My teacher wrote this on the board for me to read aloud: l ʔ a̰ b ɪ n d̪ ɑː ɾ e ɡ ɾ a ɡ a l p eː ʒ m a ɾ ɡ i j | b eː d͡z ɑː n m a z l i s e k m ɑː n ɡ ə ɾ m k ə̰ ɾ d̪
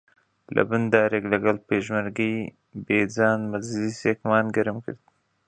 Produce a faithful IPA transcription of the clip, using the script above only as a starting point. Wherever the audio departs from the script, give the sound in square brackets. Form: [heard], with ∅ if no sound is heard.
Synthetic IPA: l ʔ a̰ b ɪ n d̪ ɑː ɾ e ɡ [l] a ɡ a l p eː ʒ m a ɾ ɡ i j | b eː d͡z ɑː n m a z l i s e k m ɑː n ɡ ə ɾ m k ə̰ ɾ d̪